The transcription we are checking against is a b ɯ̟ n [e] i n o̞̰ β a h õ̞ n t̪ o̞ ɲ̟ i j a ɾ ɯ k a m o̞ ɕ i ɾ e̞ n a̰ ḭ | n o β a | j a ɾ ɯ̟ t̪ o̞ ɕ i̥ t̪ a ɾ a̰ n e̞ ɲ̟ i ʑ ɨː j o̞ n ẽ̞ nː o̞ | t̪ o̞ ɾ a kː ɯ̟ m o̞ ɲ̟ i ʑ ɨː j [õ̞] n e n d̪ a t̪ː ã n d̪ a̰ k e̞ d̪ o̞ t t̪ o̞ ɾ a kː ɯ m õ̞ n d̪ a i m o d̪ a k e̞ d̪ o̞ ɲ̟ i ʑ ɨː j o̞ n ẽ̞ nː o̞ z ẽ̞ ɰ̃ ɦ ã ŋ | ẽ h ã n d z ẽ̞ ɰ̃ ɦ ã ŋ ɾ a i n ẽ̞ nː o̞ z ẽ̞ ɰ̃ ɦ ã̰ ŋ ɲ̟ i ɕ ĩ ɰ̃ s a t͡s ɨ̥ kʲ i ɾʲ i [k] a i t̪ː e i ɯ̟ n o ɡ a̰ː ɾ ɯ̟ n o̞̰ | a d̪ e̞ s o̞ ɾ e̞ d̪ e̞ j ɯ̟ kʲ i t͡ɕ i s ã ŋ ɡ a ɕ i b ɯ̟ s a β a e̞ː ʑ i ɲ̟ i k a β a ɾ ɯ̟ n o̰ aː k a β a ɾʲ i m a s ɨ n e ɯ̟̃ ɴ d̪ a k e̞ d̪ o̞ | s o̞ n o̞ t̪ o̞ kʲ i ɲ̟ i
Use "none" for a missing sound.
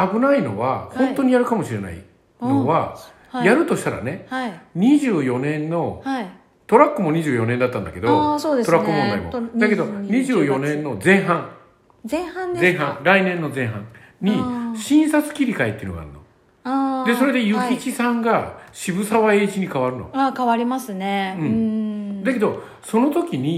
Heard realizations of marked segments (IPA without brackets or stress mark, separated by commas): a, o̞, k